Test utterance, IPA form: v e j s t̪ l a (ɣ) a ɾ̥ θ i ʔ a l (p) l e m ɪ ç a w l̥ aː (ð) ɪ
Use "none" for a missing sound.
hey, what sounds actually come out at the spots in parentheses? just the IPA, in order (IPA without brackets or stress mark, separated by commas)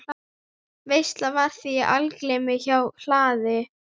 v, k, ð